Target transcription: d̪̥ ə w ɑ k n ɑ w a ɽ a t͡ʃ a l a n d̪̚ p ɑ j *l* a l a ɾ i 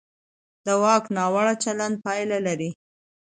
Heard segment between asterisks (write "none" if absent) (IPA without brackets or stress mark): l